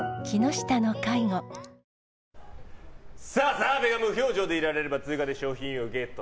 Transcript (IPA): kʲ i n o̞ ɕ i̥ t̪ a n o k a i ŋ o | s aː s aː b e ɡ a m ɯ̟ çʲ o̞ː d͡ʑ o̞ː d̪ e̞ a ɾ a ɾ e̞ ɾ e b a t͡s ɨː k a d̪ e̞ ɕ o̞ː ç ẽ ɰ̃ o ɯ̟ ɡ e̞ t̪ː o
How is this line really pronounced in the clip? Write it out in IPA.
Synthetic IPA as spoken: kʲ i n o̞ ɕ i̥ t̪ a n o k a i ŋ o | s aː s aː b e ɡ a m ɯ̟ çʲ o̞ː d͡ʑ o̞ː d̪ e̞ i ɾ a ɾ e̞ ɾ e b a t͡s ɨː k a d̪ e̞ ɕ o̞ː ç ĩ ɰ̃ o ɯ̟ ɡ e̞ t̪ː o